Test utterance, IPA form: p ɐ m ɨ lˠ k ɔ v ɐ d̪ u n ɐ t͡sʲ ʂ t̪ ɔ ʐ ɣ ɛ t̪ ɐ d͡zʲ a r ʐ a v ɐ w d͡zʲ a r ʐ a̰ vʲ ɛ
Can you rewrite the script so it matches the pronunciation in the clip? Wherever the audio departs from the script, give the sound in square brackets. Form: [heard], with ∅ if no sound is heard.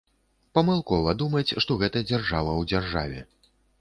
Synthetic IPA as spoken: p ɐ m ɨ lˠ k ɔ v ɐ d̪ u [m] ɐ t͡sʲ ʂ t̪ ɔ [∅] ɣ ɛ t̪ ɐ d͡zʲ a r ʐ a v ɐ w d͡zʲ a r ʐ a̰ vʲ ɛ